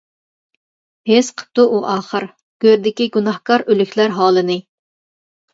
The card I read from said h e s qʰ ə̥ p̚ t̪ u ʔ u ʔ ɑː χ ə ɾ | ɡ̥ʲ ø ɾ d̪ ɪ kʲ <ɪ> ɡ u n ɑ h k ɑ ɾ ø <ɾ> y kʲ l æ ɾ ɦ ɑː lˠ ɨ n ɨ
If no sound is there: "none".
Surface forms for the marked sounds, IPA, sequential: i, l

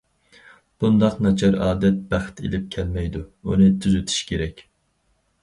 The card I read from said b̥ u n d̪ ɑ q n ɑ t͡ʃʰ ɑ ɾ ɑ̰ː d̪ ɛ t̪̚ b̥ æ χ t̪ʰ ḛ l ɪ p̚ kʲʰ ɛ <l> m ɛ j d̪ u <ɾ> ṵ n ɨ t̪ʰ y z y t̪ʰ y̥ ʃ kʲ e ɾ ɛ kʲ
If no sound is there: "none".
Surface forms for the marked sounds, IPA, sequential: l, none

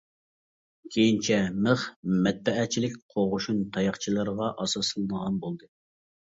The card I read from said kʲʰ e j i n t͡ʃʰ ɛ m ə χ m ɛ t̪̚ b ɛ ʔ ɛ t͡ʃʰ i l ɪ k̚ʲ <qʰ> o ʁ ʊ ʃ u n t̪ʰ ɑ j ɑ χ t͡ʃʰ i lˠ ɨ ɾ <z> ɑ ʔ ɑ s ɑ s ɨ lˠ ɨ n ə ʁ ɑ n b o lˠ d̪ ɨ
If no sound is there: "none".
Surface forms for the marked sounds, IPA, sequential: qʰ, ʁ

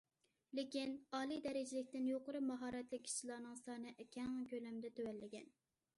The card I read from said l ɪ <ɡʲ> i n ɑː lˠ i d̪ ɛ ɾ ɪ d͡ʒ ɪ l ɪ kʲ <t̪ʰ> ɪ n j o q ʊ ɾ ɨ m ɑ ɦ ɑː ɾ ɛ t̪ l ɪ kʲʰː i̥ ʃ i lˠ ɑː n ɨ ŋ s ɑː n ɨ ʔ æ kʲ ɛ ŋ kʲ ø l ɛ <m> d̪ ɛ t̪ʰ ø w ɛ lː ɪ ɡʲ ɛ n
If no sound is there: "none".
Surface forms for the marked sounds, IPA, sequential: kʲ, t̪, m

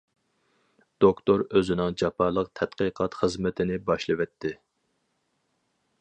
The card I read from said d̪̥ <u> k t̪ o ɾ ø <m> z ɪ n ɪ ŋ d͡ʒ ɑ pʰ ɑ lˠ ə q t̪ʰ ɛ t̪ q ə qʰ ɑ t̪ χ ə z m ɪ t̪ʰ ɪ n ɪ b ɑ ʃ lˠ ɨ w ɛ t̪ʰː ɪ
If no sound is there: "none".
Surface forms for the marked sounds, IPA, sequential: o, none

